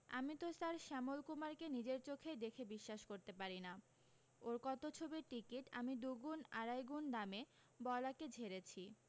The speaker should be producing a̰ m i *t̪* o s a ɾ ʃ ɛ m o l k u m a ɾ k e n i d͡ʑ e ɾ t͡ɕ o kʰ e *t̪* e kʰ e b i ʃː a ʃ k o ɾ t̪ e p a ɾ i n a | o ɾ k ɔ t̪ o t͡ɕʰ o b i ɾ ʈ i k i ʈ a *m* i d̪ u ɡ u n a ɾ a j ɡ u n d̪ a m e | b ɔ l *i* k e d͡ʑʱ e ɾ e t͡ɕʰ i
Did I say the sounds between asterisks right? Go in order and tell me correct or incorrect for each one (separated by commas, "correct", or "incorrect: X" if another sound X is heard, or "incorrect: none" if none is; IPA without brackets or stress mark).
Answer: correct, incorrect: d̪, correct, incorrect: a